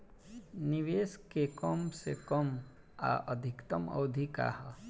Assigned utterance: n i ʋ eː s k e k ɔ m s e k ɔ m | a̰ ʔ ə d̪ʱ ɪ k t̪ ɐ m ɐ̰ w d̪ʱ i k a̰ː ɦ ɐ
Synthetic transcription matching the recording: n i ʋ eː s k e k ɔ m s e k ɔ m | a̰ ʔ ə d̪ʱ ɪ k t̪ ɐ m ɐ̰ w d̪ʱ i k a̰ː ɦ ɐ